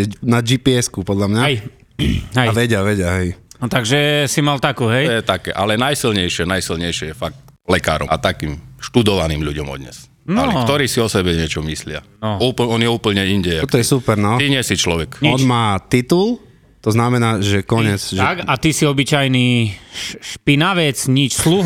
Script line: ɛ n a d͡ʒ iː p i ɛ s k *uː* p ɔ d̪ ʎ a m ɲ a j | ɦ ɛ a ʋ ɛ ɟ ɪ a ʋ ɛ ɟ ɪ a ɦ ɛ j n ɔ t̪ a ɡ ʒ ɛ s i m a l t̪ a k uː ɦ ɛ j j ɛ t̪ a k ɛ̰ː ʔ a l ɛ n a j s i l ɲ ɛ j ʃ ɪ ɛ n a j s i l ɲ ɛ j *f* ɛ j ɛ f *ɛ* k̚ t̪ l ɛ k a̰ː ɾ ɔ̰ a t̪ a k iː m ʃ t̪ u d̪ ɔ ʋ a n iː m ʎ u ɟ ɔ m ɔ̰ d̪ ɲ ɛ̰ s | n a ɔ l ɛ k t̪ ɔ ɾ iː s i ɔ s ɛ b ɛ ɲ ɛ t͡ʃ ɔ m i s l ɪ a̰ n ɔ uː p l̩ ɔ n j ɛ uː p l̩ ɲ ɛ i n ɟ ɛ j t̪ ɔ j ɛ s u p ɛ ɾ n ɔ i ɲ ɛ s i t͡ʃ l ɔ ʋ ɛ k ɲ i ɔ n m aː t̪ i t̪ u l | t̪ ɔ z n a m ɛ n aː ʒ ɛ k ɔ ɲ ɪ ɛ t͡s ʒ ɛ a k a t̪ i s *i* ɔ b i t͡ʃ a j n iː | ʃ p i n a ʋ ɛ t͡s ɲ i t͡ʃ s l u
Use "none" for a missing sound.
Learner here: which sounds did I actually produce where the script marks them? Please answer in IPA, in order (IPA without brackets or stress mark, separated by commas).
u, ʃ, a, i